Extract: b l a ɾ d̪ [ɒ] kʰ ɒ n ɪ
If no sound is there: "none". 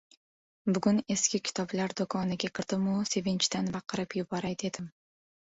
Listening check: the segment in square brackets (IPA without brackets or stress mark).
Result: o